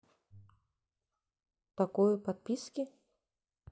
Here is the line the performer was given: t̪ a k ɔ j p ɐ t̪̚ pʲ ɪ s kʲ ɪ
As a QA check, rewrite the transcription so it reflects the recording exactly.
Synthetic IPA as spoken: t̪ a k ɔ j p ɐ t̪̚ pʲ i s kʲ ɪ